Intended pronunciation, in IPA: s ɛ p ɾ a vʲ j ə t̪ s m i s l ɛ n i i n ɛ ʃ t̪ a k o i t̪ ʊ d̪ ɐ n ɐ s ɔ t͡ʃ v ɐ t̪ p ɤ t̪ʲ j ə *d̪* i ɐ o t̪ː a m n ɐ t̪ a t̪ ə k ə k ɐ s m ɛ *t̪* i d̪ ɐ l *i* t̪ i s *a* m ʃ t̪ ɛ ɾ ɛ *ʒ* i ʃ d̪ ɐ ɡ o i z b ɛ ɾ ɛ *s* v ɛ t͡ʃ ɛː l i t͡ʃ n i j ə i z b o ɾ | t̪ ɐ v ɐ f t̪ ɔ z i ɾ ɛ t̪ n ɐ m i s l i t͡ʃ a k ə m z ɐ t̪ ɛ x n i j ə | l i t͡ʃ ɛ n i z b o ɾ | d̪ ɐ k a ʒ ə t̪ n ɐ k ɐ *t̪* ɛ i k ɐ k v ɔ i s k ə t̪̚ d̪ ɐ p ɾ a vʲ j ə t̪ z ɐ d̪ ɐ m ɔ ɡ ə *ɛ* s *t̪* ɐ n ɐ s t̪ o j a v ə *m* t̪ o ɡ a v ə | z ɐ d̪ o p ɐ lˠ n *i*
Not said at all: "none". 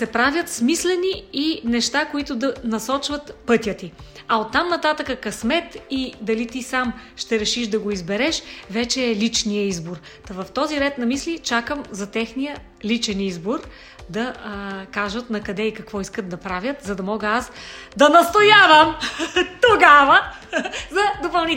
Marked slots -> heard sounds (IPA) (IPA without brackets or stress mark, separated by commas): t̪, t̪, i, a, ʃ, ʃ, d̪, a, d̪, m, i